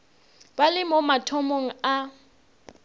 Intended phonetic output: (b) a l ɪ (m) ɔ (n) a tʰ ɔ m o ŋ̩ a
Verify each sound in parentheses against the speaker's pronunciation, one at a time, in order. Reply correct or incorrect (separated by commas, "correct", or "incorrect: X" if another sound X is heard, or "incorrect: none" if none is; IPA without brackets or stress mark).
correct, correct, incorrect: m